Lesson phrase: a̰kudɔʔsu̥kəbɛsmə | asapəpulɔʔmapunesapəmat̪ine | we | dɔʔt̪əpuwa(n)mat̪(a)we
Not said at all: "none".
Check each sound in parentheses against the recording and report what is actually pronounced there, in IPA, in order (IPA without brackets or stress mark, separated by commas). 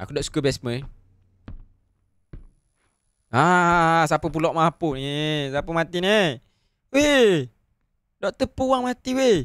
ŋ, i